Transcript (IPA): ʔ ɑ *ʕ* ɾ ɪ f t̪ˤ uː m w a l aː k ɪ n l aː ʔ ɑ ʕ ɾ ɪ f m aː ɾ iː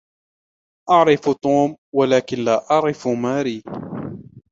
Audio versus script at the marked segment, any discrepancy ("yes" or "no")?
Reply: no